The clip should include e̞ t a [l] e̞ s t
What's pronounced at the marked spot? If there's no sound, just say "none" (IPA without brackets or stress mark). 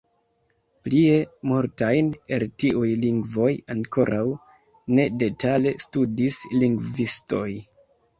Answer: l